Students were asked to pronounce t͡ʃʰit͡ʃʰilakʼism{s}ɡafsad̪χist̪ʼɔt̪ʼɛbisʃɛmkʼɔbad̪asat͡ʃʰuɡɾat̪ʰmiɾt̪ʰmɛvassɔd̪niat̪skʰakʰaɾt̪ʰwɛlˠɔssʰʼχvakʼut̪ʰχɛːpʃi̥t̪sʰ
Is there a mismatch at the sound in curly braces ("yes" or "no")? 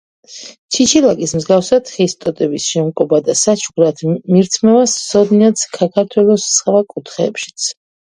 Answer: yes